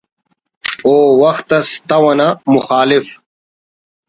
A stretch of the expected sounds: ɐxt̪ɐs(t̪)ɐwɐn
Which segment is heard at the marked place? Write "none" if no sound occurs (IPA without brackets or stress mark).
t̪